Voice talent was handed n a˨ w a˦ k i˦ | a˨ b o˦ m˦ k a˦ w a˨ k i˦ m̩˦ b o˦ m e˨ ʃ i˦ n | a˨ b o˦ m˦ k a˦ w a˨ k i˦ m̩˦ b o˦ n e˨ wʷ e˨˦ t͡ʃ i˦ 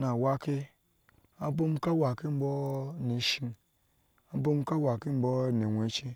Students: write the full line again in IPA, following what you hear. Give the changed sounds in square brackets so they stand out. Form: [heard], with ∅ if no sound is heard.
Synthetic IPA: n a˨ w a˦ k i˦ | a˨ b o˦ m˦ k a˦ w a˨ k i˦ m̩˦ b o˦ [n] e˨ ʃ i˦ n | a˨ b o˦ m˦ k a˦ w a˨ k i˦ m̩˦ b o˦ n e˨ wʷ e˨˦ t͡ʃ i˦

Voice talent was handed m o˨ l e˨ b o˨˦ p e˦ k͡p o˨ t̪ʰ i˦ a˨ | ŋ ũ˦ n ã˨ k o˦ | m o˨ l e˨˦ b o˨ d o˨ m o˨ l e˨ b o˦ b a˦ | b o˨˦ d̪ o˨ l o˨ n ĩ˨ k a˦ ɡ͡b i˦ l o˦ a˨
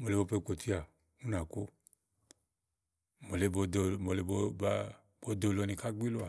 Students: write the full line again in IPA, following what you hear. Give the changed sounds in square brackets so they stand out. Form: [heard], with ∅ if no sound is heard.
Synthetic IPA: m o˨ l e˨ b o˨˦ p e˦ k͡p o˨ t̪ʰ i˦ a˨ | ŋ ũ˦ n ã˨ k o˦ | m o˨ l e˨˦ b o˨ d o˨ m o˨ l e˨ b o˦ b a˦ | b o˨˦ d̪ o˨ l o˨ n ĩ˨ k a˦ ɡ͡b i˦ l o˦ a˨

